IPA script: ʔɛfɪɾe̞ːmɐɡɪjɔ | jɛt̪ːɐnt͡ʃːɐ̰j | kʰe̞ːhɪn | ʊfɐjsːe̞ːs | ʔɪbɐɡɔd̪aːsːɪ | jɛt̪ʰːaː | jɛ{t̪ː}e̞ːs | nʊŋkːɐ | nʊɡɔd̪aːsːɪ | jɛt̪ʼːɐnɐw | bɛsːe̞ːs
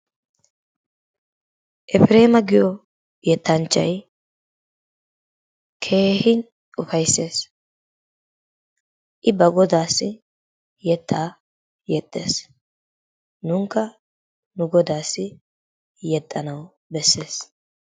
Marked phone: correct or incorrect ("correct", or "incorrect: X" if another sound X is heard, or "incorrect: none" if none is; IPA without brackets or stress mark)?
incorrect: t̪ʼː